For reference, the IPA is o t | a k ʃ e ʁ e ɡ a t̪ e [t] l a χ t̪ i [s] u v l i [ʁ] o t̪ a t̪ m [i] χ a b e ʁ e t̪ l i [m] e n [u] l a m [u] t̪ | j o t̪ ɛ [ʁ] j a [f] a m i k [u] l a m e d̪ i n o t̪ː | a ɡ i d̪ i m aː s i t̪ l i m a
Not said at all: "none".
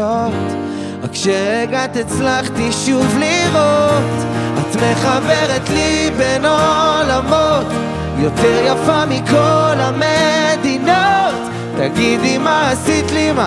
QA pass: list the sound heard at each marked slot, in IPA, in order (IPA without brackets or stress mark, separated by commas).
t͡s, ʃ, ʁ, e, b, o, o, ʁ, f, o